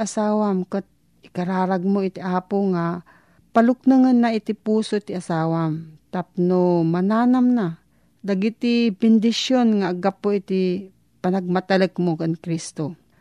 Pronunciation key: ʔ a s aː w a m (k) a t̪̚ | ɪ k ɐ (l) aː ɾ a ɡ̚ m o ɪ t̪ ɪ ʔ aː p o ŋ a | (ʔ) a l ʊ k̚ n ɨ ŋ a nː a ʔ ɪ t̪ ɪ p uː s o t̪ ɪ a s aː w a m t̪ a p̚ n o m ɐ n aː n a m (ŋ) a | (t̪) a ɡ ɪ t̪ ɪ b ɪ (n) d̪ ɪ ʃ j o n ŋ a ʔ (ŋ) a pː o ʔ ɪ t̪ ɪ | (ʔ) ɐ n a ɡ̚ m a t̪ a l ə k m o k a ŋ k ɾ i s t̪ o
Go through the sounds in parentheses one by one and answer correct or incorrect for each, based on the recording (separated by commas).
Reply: correct, incorrect, incorrect, incorrect, incorrect, correct, incorrect, incorrect